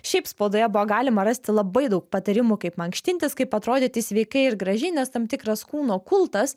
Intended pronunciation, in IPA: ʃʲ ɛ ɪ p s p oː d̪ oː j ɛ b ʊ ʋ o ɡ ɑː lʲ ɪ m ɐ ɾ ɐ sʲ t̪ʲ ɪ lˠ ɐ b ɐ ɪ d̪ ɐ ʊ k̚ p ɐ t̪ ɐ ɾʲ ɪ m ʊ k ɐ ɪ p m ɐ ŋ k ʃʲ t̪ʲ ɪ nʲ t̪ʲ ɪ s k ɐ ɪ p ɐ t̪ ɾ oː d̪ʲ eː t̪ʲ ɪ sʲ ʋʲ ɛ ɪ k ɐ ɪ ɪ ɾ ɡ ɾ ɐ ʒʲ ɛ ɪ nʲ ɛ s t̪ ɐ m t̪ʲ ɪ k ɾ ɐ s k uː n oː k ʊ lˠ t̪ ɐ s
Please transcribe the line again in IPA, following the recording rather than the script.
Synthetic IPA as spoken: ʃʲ ɛ ɪ p s p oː d̪ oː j ɛ b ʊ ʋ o ɡ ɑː lʲ ɪ m ɐ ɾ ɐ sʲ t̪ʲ ɪ lˠ ɐ b ɐ ɪ d̪ ɐ ʊ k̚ p ɐ t̪ ɐ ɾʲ ɪ m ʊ k ɐ ɪ p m ɐ ŋ k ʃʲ t̪ʲ ɪ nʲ t̪ʲ ɪ s k ɐ ɪ p ɐ t̪ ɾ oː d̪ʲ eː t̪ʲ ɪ sʲ ʋʲ ɛ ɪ k ɐ ɪ ɪ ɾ ɡ ɾ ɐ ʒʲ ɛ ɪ nʲ ɛ s t̪ ɐ m t̪ʲ ɪ k ɾ ɐ s k uː n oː k ʊ lˠ t̪ ɐ s